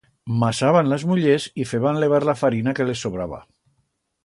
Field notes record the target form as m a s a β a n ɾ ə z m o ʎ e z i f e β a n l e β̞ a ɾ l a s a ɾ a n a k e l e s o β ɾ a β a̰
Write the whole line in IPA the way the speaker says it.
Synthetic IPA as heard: m a s a β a n l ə z m u ʎ e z i f e β a n l e β̞ a ɾ l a f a ɾ i n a k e l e s o β ɾ a β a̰